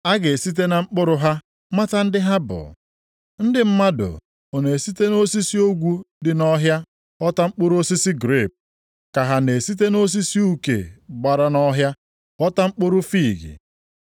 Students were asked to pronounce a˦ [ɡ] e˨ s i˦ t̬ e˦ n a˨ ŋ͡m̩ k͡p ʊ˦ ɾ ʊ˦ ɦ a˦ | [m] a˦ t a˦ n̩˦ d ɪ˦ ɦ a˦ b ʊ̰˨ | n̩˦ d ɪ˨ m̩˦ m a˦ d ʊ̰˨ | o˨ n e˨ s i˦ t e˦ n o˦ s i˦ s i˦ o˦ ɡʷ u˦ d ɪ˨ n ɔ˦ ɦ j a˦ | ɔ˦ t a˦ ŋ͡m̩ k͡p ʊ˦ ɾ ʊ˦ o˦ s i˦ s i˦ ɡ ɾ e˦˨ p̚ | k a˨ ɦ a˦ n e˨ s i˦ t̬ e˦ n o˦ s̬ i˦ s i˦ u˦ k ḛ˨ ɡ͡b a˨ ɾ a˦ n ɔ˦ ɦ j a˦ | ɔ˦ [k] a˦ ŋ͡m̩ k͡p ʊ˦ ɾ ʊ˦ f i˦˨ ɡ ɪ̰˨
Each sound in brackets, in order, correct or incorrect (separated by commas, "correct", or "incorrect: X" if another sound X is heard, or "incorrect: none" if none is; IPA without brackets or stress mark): correct, correct, incorrect: t